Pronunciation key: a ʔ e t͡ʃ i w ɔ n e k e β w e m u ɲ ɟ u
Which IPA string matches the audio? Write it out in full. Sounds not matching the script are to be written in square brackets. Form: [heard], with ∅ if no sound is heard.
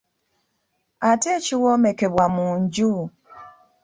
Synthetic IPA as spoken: a [t] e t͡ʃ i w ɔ [m] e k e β w [a] m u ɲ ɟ u